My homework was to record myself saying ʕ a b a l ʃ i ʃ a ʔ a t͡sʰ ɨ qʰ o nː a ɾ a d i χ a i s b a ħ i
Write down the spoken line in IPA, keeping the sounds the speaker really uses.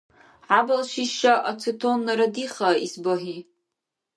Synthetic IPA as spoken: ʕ a b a l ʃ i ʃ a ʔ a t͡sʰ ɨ tʰ o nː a ɾ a d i χ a i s b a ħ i